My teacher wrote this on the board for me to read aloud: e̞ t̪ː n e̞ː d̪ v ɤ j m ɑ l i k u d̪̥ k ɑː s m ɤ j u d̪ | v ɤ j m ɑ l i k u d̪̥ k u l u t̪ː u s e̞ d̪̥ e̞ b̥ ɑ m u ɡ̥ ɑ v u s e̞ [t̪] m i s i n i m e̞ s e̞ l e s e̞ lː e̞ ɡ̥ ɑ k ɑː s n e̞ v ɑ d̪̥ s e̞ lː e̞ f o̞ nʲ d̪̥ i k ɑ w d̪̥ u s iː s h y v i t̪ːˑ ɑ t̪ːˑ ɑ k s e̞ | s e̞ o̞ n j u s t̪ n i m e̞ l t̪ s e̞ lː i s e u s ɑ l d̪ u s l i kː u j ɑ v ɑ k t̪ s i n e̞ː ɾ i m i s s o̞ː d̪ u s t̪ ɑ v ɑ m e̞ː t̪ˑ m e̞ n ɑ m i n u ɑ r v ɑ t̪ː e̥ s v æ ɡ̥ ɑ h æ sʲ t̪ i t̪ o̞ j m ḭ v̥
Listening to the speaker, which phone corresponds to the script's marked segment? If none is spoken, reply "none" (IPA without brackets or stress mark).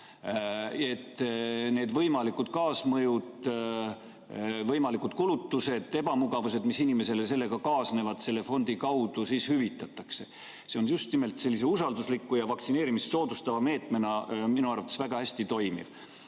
d̪